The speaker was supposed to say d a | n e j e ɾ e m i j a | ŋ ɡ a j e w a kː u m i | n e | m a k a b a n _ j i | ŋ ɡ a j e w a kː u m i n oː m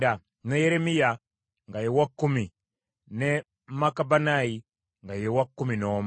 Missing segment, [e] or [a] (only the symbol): a